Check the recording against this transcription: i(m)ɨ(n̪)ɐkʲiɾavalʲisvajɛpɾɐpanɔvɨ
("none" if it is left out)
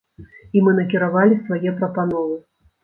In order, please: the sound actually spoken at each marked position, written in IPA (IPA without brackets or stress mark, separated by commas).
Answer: m, n̪